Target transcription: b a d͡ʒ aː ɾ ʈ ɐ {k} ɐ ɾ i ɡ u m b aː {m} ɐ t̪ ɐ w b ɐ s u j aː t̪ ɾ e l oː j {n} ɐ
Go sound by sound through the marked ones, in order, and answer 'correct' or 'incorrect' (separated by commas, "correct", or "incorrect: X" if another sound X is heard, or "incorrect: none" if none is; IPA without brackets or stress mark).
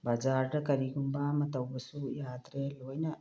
correct, correct, correct